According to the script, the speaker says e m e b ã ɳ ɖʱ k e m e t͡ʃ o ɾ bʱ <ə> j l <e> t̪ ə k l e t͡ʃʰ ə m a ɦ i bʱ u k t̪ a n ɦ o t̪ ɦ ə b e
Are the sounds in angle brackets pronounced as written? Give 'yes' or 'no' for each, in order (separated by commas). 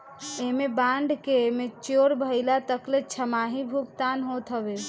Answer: yes, no